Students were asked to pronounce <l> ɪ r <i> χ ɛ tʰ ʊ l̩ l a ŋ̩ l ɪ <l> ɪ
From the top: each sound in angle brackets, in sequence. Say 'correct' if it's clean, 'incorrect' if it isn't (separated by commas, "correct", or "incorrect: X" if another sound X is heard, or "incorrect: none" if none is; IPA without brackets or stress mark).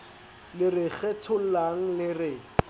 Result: correct, incorrect: ɪ, incorrect: r